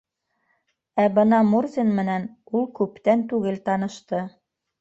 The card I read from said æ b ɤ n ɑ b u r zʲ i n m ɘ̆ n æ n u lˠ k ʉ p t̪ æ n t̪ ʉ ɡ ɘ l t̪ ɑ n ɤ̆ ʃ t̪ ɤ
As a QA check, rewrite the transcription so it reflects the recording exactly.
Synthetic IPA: æ b ɤ n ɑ m u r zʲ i n m ɘ̆ n æ n u lˠ k ʉ p t̪ æ n t̪ ʉ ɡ ɘ l t̪ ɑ n ɤ̆ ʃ t̪ ɤ